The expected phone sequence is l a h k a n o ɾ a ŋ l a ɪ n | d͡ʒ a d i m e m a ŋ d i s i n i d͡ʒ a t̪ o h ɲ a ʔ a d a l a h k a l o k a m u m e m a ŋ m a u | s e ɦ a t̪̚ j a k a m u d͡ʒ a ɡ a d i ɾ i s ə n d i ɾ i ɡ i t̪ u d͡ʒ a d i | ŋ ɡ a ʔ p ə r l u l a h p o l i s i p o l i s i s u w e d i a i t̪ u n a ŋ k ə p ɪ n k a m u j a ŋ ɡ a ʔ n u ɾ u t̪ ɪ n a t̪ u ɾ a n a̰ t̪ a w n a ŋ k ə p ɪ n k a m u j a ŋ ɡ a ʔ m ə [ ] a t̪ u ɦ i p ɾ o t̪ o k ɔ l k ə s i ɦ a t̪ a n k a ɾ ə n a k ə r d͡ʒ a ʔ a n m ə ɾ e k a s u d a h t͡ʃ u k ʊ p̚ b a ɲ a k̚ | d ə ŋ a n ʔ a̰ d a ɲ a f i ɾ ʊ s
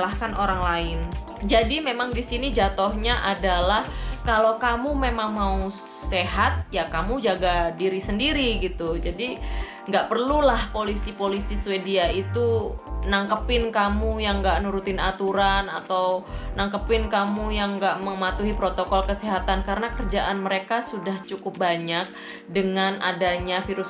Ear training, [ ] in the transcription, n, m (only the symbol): m